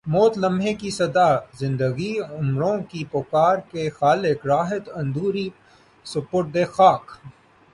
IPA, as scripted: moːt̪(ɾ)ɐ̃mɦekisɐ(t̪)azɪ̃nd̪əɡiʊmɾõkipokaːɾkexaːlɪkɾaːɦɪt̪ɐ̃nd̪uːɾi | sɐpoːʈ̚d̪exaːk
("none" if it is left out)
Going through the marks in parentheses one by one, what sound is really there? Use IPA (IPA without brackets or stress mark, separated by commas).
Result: l, d̪